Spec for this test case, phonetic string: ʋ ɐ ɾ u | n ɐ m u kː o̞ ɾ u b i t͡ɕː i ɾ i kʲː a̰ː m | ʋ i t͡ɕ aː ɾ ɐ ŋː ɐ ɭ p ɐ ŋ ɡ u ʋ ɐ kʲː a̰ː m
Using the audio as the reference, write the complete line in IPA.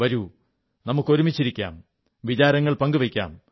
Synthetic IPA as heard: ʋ ɐ ɾ u | n ɐ m u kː o̞ ɾ u m i t͡ɕː i ɾ i kʲː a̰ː m | ʋ i t͡ɕ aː ɾ ɐ ŋː ɐ ɭ p ɐ ŋ ɡ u ʋ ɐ kʲː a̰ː m

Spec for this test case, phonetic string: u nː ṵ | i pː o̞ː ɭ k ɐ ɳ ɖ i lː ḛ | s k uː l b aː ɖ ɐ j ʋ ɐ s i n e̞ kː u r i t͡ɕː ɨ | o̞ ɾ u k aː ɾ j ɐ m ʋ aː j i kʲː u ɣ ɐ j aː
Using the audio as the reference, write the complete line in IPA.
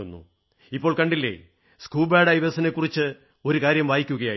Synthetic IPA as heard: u nː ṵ | i pː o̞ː ɭ k ɐ ɳ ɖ i lː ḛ | s k uː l b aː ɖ ɐ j ʋ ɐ s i n e̞ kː u r i t͡ɕː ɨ | o̞ ɾ u k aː ɾ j ɐ m ʋ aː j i kʲː u ɣ ɐ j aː

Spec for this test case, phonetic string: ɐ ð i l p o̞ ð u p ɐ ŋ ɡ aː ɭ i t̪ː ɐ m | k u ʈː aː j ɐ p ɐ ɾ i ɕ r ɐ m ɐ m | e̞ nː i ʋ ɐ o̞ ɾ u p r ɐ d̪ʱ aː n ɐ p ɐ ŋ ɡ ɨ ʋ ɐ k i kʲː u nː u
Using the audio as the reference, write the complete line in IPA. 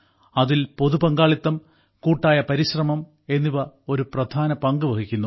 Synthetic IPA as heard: ɐ ð i l p o̞ ð u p ɐ ŋ ɡ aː ɭ i t̪ː ɐ m | k uː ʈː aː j ɐ p ɐ ɾ i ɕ r ɐ m ɐ m | e̞ nː i ʋ ɐ o̞ ɾ u p r ɐ d̪ʱ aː n ɐ p ɐ ŋ ɡ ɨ ʋ ɐ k i kʲː u nː u

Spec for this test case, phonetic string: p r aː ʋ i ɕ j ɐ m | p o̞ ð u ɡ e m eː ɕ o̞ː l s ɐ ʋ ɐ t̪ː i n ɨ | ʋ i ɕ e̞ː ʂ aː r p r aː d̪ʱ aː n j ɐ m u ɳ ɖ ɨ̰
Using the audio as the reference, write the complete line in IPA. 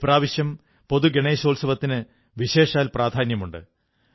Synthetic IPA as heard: p r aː ʋ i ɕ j ɐ m | p o̞ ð u ɡ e ɳ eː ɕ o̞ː l s ɐ ʋ ɐ t̪ː i n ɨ | ʋ i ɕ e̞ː ʂ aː l p r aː d̪ʱ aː n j ɐ m u ɳ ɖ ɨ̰

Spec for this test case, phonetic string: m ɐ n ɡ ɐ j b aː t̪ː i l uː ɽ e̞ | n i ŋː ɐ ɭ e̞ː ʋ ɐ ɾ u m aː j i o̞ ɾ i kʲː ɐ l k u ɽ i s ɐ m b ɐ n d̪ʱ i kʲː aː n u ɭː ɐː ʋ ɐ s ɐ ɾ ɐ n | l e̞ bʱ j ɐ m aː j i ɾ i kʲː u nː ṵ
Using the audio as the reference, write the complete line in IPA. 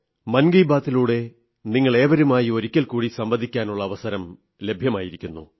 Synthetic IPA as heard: m ɐ n ɡ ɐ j b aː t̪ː i l uː ɽ e̞ | n i ŋː ɐ ɭ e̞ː ʋ ɐ ɾ u m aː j i o̞ ɾ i kʲː ɐ l k uː ɽ i s ɐ m b ɐ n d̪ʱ i kʲː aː n u ɭː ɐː ʋ ɐ s ɐ ɾ ɐ m | l e̞ bʱ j ɐ m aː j i ɾ i kʲː u nː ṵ

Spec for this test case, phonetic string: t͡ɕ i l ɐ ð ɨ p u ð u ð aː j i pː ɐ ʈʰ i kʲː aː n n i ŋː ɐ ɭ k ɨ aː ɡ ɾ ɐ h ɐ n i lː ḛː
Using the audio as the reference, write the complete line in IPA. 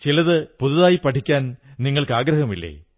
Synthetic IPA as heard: t͡ɕ i l ɐ ð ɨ p u ð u ð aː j i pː ɐ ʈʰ i kʲː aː n n i ŋː ɐ ɭ k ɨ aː ɡ ɾ ɐ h ɐ m i lː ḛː

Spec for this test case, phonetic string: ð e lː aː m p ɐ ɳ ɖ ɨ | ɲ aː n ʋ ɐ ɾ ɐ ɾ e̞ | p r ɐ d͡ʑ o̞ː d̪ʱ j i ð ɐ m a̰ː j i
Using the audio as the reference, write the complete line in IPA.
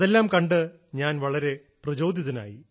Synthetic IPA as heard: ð e lː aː m k ɐ ɳ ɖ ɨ | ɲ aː n ʋ ɐ ɭ ɐ ɾ e̞ | p r ɐ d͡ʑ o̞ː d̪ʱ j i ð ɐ n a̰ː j i

